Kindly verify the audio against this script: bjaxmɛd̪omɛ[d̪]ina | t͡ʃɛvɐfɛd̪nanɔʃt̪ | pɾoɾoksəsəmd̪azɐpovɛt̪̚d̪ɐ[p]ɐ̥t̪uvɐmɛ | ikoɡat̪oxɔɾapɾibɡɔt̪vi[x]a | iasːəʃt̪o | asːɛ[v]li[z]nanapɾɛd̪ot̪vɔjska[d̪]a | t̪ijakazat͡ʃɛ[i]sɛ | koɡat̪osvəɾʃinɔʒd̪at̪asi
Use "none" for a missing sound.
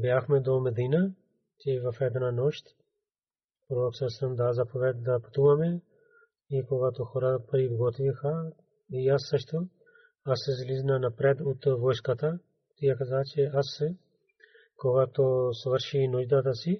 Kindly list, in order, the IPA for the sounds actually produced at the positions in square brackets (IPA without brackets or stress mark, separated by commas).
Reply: d̪, p, x, z, z, t̪, a